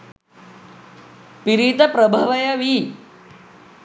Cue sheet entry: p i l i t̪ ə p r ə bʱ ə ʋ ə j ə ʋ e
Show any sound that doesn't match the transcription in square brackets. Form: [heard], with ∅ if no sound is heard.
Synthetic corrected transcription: p i [ɾ] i t̪ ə p [ɾ] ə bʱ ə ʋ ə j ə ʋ [i]